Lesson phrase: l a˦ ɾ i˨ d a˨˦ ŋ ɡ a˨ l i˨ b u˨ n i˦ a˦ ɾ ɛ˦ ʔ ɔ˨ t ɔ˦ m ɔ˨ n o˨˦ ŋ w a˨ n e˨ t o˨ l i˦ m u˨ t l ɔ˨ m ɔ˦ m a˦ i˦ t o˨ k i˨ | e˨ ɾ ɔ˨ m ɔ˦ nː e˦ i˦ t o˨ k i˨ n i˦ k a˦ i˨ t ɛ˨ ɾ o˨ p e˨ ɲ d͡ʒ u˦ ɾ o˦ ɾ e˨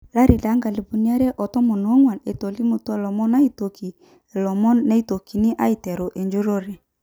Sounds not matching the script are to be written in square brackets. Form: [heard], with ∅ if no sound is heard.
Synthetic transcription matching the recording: l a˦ ɾ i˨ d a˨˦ ŋ ɡ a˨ l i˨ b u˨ n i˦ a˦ ɾ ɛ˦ ʔ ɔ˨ t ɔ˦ m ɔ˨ n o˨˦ ŋ w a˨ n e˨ t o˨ l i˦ m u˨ t l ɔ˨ m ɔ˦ [n] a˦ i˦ t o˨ k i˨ | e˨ [l] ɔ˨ m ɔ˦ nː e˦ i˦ t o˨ k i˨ n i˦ [ʔ] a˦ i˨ t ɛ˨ ɾ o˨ [ʔ] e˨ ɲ d͡ʒ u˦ ɾ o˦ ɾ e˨

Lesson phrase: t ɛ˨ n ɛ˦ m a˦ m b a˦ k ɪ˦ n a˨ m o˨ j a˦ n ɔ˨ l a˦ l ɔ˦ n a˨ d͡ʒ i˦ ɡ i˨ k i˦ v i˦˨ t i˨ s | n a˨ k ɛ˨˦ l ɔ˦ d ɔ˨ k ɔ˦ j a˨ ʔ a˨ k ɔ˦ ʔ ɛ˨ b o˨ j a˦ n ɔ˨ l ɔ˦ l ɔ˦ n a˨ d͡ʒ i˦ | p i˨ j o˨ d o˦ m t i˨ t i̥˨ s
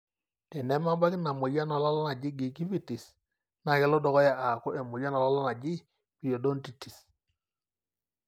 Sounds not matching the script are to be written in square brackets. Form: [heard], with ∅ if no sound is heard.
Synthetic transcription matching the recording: t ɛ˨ n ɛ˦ m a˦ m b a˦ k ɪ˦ n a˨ m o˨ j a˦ n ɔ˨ l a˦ l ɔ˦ n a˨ d͡ʒ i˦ ɡ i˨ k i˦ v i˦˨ t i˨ s | n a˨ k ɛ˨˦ l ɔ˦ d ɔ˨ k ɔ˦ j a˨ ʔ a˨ k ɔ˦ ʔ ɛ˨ [m] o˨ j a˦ n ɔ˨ l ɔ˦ l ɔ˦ n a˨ d͡ʒ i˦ | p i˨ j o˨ d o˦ [n] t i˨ t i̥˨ s

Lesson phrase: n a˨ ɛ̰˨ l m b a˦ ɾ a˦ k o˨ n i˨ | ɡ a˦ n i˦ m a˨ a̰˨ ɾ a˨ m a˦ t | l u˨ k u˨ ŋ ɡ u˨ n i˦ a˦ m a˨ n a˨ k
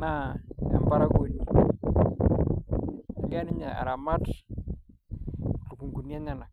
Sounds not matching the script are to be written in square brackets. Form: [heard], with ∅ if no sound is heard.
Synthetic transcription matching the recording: n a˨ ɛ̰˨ [∅] m b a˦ ɾ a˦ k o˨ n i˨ | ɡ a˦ n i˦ [ɲ] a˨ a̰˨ ɾ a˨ m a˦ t | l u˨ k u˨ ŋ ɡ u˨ n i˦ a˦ [ɲ] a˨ n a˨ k

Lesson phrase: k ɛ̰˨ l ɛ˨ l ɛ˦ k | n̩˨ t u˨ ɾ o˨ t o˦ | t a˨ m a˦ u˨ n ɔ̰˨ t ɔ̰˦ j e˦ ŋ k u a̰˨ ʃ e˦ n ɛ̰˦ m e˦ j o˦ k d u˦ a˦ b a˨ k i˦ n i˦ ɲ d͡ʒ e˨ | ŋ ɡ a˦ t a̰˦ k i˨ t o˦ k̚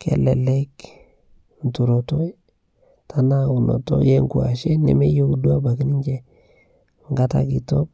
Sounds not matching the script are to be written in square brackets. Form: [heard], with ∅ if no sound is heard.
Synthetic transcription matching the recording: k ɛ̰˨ l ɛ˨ l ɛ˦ k | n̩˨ t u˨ ɾ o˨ t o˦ | t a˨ [n] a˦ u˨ n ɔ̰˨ t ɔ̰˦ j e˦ ŋ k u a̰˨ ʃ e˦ n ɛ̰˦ m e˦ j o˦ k d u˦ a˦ b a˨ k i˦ n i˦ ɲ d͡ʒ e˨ | ŋ ɡ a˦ t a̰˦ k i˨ t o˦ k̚

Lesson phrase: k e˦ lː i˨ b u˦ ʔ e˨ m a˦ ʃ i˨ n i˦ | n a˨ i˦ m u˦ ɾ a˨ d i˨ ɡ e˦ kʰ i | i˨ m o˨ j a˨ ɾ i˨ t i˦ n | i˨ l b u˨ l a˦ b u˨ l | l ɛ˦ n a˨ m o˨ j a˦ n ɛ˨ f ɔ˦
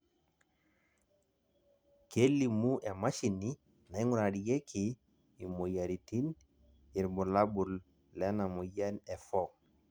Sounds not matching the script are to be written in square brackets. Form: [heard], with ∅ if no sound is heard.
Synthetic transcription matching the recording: k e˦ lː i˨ [m] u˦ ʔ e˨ m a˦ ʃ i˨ n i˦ | n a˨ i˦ [ŋ] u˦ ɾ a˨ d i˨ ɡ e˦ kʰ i | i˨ m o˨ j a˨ ɾ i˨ t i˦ n | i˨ [ɾ] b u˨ l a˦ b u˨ l | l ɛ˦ n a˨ m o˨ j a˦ n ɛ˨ f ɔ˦

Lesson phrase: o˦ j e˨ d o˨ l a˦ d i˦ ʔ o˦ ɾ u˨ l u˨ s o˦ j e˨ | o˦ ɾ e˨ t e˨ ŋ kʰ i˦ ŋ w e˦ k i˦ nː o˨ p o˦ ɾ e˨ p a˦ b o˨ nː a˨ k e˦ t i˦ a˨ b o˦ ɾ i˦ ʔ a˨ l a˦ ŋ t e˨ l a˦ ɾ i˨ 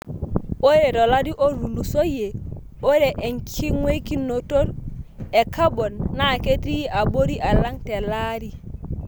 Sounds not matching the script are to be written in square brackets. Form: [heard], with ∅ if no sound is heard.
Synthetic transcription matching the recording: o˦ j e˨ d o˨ l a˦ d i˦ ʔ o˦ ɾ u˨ l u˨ s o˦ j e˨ | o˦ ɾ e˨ [ʔ] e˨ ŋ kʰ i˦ ŋ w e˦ k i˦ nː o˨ [t] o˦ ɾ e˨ [k] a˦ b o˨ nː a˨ k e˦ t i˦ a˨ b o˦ ɾ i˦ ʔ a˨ l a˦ ŋ t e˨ l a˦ ɾ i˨

